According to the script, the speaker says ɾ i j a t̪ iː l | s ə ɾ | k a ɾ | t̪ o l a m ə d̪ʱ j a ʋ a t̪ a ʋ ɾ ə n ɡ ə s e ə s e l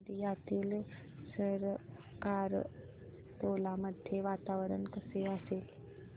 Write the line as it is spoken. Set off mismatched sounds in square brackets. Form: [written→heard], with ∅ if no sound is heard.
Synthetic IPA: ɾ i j a t̪ iː l | s ə ɾ | k a ɾ | t̪ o l a m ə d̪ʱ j [a→e] ʋ a t̪ a ʋ ɾ ə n [ɡ→k] ə s e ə s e l